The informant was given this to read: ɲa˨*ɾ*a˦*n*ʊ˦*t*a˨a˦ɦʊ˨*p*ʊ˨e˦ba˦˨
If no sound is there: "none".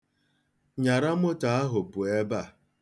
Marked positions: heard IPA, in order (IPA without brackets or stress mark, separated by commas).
ɾ, m, t, p